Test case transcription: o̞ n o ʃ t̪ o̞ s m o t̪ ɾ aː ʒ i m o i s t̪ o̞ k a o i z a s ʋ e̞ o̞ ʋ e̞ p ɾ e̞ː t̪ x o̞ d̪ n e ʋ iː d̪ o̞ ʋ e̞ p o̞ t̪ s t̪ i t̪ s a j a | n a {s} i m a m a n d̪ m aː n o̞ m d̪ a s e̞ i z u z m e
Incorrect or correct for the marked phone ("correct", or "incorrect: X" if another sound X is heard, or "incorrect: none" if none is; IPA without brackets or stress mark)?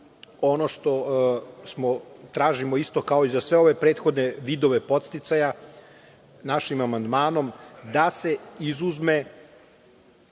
incorrect: ʃ